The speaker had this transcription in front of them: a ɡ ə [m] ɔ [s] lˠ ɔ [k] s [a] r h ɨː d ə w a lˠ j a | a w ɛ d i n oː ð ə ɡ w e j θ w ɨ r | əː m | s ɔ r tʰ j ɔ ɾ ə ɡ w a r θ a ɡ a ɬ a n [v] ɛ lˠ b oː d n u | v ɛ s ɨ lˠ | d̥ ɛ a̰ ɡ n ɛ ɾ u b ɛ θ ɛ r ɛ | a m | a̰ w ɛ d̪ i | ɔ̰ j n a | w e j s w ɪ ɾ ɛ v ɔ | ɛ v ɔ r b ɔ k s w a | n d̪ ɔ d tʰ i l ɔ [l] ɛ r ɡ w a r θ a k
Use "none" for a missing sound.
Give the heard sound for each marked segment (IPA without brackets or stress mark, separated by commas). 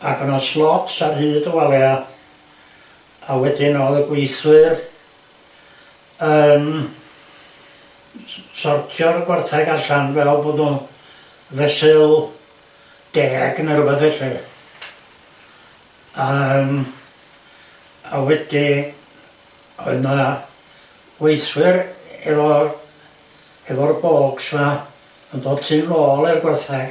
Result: n, s, t, a, v, l